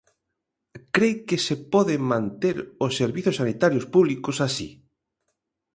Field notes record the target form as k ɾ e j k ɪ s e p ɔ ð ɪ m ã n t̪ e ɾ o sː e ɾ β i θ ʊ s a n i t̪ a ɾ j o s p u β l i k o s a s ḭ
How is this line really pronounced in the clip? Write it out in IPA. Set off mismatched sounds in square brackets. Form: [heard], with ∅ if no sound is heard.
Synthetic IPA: k ɾ e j k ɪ s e p ɔ ð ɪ m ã n t̪ e ɾ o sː e ɾ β i θ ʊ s a n i t̪ a ɾ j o s p u β l i k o s a s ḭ